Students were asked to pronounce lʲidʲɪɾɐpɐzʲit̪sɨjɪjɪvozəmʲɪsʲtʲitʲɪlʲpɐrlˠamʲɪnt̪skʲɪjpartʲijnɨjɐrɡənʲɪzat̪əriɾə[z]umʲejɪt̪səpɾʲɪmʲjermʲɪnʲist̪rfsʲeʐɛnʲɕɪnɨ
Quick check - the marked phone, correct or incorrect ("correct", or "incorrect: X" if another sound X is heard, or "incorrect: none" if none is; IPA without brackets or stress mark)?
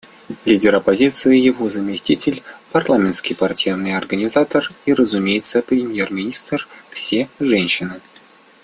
correct